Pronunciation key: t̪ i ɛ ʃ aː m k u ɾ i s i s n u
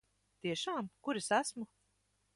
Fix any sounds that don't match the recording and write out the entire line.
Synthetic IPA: t̪ i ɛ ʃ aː m k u ɾ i s æ s m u